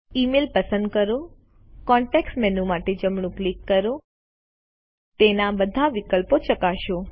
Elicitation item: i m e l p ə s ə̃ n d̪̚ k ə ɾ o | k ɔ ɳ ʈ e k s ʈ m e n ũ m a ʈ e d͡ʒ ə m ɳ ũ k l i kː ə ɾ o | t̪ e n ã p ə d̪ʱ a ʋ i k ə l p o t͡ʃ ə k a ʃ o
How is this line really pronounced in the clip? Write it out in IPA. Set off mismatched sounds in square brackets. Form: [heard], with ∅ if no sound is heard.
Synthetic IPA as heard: i m e l p ə s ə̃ n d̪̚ k ə ɾ o | k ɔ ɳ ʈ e k s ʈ m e n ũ m a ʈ e d͡ʒ ə m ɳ ũ k l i kː ə ɾ o | t̪ e n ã [b] ə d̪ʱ a ʋ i k ə l p o t͡ʃ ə k a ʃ o

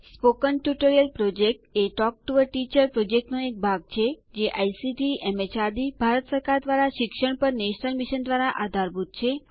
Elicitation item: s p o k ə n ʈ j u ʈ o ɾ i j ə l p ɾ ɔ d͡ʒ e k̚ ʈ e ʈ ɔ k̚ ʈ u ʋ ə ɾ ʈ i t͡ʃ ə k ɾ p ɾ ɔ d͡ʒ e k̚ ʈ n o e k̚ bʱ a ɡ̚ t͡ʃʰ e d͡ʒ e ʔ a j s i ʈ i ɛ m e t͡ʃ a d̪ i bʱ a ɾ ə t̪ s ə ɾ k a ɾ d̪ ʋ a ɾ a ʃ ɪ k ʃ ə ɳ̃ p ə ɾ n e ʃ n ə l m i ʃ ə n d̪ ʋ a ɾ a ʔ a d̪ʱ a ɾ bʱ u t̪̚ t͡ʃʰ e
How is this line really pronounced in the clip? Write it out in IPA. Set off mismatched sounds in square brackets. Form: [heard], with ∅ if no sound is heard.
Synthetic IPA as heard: s p o k ə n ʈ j u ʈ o ɾ i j ə l p ɾ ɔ d͡ʒ e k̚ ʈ e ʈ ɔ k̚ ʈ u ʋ ə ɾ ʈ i t͡ʃ ə [∅] ɾ p ɾ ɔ d͡ʒ e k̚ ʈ n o e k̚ bʱ a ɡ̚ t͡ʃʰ e d͡ʒ e ʔ a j s i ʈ i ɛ m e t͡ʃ a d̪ i bʱ a ɾ ə t̪ s ə ɾ k a ɾ d̪ ʋ a ɾ a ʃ ɪ k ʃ ə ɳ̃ p ə ɾ n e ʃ n ə l m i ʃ ə n d̪ ʋ a ɾ a ʔ a d̪ʱ a ɾ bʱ u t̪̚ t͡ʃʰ e

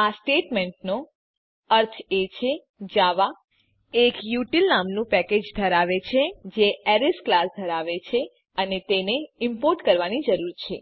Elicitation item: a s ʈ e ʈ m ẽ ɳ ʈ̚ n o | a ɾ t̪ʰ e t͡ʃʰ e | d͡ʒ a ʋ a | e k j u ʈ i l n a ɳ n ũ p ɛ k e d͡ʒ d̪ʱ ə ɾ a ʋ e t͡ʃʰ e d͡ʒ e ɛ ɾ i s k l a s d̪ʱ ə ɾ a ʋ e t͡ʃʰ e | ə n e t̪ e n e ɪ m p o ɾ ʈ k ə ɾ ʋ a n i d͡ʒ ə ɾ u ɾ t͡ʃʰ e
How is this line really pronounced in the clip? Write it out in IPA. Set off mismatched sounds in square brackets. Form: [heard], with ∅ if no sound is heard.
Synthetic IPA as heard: a s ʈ e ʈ m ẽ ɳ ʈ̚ n o | [ə] ɾ t̪ʰ e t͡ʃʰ e | d͡ʒ a ʋ a | e k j u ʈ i l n a [m] n ũ p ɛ k e d͡ʒ d̪ʱ ə ɾ a ʋ e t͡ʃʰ e d͡ʒ e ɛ ɾ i s k l a s d̪ʱ ə ɾ a ʋ e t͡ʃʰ e | ə n e t̪ e n e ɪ m p o ɾ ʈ k ə ɾ ʋ a n i d͡ʒ ə ɾ u ɾ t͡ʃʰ e

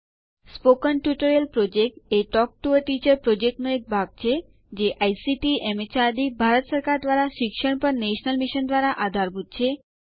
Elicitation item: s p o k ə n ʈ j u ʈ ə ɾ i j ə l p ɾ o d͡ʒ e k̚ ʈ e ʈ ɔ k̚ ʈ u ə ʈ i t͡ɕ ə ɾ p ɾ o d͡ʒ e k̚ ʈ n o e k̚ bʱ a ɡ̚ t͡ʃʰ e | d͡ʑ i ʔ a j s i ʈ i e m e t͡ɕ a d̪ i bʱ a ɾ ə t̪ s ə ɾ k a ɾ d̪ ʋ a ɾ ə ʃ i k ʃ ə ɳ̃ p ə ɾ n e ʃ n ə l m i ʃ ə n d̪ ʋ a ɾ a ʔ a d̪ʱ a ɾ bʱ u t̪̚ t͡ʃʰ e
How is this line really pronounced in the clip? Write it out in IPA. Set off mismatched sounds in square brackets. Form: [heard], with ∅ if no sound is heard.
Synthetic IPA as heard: s p o k ə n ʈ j u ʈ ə ɾ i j ə l p ɾ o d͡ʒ e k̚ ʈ e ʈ ɔ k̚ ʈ u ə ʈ i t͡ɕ ə ɾ p ɾ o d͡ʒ e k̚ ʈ n o e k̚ bʱ a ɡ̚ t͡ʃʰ e | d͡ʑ [e] ʔ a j s i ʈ i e m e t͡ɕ a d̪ i bʱ a ɾ ə t̪ s ə ɾ k a ɾ d̪ ʋ a ɾ [a] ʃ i k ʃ ə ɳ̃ p ə ɾ n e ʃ n ə l m i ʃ ə n d̪ ʋ a ɾ a ʔ a d̪ʱ a ɾ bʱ u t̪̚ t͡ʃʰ e

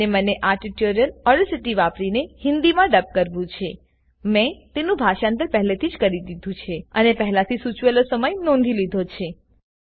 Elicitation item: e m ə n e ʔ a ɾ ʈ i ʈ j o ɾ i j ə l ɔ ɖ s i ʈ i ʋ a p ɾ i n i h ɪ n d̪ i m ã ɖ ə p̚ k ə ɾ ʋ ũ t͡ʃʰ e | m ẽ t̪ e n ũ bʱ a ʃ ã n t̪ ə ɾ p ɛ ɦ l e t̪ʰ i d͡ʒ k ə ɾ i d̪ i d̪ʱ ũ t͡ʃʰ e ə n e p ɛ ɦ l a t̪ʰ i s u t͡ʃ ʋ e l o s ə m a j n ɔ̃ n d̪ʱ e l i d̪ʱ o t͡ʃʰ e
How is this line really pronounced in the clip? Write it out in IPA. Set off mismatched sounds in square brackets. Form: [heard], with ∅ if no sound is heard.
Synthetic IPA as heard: e m ə n e ʔ a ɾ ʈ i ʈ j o ɾ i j ə l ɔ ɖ s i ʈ i ʋ a p ɾ i n [e] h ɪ n d̪ i m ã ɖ ə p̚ k ə ɾ ʋ ũ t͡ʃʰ e | m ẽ t̪ e n ũ bʱ a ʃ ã n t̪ ə ɾ p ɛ ɦ l e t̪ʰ i d͡ʒ k ə ɾ i d̪ i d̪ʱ ũ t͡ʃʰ e ə n e p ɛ ɦ l a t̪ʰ i s u t͡ʃ ʋ e l o s ə m [ə] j n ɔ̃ n d̪ʱ [i] l i d̪ʱ o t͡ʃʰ e

